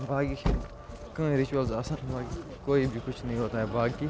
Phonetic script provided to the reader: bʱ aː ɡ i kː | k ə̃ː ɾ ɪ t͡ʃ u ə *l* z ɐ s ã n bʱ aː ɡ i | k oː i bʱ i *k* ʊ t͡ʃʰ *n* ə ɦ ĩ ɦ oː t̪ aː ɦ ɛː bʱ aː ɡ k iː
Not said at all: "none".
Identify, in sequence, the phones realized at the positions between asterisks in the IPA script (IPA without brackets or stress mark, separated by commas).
l, k, n